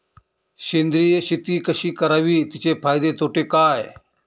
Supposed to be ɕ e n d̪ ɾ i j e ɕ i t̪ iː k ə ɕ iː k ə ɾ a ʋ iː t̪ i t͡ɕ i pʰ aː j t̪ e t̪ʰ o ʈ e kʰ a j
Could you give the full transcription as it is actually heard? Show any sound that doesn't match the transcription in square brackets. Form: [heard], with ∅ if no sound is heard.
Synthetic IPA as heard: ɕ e n d̪ ɾ i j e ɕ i t̪ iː k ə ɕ iː k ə ɾ a ʋ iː t̪ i t͡ɕ [e] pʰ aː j [d̪] e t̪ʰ o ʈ e [k] a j